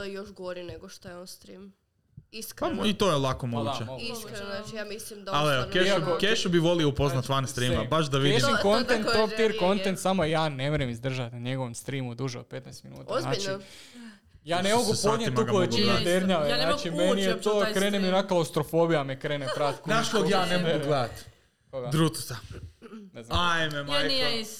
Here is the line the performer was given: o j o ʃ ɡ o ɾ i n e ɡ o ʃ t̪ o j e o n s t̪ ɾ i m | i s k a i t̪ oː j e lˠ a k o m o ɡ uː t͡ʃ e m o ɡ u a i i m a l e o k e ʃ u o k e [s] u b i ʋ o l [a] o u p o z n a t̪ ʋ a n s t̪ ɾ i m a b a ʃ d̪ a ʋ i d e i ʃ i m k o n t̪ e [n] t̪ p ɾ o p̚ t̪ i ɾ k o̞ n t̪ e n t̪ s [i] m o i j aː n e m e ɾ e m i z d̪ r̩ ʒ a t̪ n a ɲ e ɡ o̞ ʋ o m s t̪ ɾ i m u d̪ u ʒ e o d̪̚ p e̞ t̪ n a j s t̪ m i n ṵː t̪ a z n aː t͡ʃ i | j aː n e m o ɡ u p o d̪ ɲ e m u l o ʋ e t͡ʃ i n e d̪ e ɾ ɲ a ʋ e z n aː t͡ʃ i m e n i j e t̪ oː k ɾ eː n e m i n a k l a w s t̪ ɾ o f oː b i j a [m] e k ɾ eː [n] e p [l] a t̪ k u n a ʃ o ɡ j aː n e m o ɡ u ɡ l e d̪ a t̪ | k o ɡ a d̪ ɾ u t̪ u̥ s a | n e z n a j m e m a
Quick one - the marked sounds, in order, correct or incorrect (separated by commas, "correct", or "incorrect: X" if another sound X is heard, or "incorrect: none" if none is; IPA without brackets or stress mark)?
incorrect: ʃ, incorrect: i, correct, incorrect: a, correct, correct, incorrect: ɾ